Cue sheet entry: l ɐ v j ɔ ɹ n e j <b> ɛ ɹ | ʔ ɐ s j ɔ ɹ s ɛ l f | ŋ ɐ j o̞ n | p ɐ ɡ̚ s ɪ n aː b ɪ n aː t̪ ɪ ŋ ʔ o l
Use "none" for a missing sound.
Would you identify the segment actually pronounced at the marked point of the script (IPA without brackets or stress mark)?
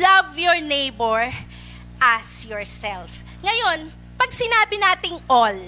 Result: b